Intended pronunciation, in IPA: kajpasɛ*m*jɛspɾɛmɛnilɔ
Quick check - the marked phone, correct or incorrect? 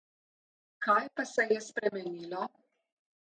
incorrect